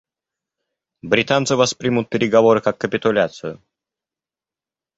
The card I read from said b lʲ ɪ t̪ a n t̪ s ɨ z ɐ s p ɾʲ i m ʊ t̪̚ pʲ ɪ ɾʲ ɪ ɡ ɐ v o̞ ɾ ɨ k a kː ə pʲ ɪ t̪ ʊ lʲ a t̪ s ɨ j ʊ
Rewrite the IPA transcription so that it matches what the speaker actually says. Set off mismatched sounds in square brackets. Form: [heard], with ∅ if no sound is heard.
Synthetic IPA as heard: b [ɾʲ] ɪ t̪ a n t̪ s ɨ [v] ɐ s p ɾʲ i m ʊ t̪̚ pʲ ɪ ɾʲ ɪ ɡ ɐ v o̞ ɾ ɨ k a kː ə pʲ ɪ t̪ ʊ lʲ a t̪ s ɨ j ʊ